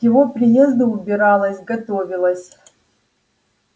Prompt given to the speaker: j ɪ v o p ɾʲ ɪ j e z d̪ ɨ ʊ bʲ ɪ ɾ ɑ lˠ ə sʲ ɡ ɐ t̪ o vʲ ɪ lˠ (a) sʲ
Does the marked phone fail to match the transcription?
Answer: yes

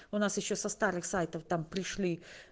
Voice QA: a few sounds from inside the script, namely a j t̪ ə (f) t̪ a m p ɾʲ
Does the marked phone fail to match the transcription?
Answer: no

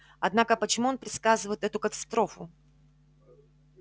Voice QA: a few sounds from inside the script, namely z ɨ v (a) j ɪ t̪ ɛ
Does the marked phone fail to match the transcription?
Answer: yes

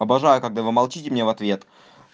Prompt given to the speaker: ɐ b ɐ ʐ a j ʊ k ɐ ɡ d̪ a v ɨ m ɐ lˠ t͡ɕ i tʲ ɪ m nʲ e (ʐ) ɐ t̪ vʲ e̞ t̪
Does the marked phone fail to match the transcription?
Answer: yes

